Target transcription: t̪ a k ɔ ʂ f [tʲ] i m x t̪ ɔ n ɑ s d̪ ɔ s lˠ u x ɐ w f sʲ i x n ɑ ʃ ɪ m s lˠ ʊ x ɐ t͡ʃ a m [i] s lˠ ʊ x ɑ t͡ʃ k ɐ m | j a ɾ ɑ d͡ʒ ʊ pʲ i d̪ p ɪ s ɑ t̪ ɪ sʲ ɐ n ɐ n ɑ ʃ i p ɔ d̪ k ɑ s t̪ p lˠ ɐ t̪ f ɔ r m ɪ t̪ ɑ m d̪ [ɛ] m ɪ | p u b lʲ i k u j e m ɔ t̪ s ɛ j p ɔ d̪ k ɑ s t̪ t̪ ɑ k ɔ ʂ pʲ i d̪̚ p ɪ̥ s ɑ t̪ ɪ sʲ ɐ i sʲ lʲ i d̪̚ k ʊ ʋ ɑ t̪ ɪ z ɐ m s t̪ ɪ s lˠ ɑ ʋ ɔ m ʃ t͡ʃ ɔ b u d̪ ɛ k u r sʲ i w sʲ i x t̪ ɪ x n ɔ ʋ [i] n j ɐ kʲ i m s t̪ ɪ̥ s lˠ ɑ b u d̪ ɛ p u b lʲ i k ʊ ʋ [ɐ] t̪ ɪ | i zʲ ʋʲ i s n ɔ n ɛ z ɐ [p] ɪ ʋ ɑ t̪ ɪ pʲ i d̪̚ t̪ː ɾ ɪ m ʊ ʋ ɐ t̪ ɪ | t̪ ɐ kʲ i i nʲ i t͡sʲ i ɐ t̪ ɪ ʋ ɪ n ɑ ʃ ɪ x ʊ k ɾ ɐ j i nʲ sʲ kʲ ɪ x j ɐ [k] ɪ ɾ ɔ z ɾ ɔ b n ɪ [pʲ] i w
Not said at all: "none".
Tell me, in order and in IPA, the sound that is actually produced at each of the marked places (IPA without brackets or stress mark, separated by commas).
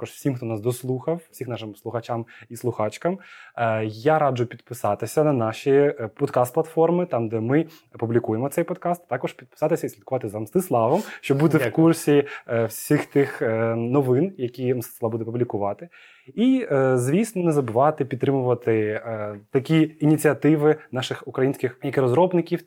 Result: sʲ, i, ɛ, ɪ, ɑ, b, k, kʲ